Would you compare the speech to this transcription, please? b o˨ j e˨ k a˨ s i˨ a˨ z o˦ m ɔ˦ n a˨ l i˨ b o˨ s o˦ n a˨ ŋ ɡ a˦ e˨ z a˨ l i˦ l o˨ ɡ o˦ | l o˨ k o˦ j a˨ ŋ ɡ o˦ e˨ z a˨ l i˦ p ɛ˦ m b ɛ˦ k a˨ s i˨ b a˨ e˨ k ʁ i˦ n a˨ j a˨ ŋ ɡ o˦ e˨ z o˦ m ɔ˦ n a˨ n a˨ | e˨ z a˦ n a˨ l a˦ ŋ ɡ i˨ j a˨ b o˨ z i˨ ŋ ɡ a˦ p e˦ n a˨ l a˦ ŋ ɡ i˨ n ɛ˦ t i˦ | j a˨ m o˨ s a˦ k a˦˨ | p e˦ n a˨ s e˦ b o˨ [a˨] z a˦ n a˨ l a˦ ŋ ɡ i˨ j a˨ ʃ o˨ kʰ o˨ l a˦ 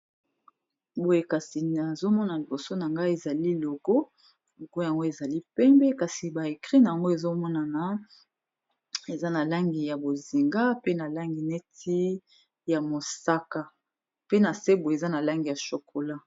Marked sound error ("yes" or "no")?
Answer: yes